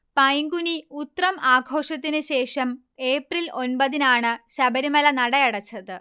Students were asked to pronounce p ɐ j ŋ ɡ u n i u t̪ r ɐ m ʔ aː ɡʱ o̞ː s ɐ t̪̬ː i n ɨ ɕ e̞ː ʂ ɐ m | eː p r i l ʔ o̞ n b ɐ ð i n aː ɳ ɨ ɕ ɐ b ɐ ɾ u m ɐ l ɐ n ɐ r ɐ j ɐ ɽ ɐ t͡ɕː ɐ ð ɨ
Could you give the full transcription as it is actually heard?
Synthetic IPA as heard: p ɐ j ŋ ɡ u n i u t̪ r ɐ m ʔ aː ɡʱ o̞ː ʂ ɐ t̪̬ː i n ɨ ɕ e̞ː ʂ ɐ m | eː p r i l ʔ o̞ n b ɐ ð i n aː ɳ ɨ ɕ ɐ b ɐ ɾ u m ɐ l ɐ n ɐ ɽ ɐ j ɐ ɽ ɐ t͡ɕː ɐ ð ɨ